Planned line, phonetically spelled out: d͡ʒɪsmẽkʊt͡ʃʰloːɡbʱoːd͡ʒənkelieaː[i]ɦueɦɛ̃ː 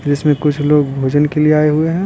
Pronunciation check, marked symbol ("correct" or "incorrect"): incorrect